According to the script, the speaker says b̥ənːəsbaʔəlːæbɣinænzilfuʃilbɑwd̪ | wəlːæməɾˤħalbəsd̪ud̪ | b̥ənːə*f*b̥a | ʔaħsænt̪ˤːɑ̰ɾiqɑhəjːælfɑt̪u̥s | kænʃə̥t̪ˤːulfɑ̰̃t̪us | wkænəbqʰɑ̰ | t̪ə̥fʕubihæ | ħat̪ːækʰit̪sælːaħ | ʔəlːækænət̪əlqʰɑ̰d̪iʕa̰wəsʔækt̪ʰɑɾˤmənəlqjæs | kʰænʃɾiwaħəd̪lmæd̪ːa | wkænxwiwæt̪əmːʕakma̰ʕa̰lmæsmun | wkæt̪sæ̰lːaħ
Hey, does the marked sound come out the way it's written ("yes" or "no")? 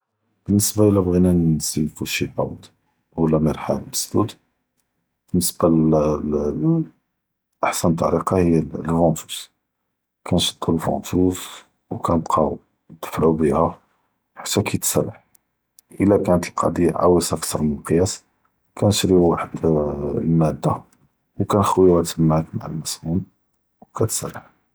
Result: no